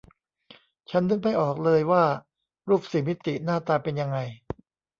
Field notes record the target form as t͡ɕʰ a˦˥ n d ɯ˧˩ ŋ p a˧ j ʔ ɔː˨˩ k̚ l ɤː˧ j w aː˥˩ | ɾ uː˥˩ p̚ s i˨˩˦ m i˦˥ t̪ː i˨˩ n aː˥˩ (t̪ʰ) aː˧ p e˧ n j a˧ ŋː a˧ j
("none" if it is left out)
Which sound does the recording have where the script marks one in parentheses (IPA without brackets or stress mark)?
t̪